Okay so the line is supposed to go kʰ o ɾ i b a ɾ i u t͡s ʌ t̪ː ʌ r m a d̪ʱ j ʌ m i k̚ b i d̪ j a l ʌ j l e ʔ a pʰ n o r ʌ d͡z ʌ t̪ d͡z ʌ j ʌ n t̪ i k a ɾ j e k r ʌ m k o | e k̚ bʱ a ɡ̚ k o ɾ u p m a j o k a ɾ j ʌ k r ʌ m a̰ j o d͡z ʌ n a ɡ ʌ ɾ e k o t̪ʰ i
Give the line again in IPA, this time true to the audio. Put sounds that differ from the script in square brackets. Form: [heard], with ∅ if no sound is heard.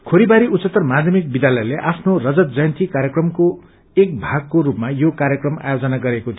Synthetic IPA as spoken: kʰ o ɾ i b a ɾ i u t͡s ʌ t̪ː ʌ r m a d̪ʱ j ʌ m i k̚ b i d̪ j a l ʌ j l e ʔ a pʰ n o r ʌ d͡z ʌ t̪ d͡z ʌ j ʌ n t̪ i k a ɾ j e k r ʌ m k o | e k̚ bʱ a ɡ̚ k o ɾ u p m a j o k a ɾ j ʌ k r ʌ m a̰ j o d͡z ʌ n a ɡ ʌ ɾ e k o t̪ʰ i